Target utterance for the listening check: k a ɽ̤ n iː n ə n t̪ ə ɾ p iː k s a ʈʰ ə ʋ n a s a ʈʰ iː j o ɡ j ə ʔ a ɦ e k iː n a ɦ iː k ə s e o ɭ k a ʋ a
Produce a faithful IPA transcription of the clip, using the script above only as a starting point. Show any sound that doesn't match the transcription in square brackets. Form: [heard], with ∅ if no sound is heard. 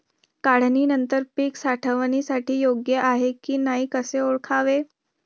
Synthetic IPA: k a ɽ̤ n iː n ə n t̪ ə ɾ p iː k s a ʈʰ ə ʋ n [i] s a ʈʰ iː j o ɡ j ə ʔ a ɦ e k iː n a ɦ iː k ə s e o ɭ [kʰ] a ʋ [e]